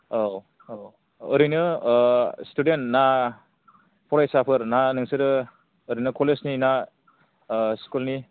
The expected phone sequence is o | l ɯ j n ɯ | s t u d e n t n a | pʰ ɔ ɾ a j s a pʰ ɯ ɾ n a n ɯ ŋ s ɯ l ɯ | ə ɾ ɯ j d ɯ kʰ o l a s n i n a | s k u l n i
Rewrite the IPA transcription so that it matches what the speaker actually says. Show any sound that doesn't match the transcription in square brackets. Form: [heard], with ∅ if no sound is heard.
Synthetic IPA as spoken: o | [ɾ] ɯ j n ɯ | s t u d e n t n a | pʰ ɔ ɾ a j s a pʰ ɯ ɾ n a n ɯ ŋ s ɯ [ɾ] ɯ | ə ɾ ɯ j [n] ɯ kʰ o l [e] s n i n a | s k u l n i